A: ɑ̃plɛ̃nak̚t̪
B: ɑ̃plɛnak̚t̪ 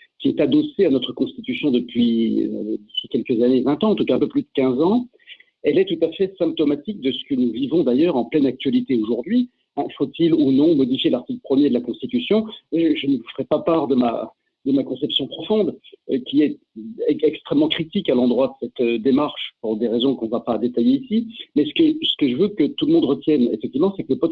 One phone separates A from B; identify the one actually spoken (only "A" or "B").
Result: B